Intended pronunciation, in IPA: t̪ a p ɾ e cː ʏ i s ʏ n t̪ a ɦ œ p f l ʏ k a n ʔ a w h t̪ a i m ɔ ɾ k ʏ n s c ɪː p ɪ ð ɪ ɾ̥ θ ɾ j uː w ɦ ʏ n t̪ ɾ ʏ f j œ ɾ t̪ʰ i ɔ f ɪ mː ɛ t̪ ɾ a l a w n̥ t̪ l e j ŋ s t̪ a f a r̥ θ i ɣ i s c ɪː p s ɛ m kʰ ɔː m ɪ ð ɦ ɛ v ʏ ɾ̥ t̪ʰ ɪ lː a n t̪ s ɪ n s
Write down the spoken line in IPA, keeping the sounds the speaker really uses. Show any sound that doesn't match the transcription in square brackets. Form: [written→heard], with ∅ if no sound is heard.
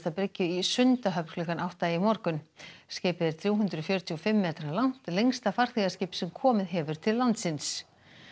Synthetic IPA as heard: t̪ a p ɾ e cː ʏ i s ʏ n t̪ a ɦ œ p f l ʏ k a n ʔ a w h t̪ a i m ɔ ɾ k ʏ n s c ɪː p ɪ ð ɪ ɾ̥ θ ɾ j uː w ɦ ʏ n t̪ ɾ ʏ f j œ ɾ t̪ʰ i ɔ f ɪ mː [ɛ→ɛː] t̪ ɾ a l a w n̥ t̪ l e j ŋ s t̪ a f a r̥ θ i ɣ [i→a] s c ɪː p s ɛ m kʰ ɔː m ɪ ð ɦ ɛ v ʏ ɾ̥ t̪ʰ ɪ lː a n t̪ s ɪ n s